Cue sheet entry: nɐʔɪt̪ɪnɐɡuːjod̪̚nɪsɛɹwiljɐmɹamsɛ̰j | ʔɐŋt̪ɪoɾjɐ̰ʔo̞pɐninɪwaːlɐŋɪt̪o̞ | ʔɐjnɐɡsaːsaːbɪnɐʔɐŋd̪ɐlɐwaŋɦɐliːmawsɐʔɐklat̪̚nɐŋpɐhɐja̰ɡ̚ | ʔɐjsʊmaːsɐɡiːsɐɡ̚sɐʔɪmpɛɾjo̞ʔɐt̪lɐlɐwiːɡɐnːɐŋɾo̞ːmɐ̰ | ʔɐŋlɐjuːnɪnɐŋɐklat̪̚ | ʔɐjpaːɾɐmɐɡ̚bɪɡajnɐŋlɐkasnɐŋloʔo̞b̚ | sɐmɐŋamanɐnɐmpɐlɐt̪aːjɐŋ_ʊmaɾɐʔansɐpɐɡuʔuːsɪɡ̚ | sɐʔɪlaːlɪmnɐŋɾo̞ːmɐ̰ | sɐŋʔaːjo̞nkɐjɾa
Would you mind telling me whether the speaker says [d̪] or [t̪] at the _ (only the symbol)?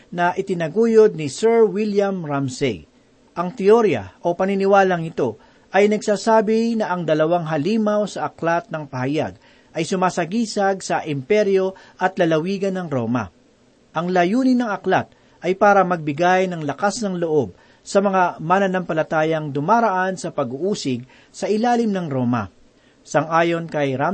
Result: d̪